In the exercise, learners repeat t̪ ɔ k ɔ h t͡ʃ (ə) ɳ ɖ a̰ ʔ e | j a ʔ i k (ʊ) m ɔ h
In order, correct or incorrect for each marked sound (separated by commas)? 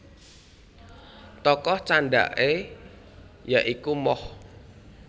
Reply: incorrect, incorrect